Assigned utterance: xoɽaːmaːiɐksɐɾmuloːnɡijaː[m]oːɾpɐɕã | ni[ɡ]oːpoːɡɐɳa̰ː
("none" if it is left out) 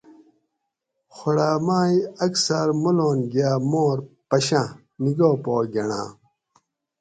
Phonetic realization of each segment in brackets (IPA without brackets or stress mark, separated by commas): m, ɡ